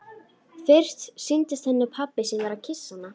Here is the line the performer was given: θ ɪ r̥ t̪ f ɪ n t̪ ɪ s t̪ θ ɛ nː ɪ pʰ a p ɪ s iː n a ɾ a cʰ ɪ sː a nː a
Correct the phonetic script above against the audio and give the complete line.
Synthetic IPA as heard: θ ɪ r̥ t̪ s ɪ n t̪ ɪ s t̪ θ ɛ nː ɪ pʰ a p ɪ s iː n a ɾ a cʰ ɪ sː a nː a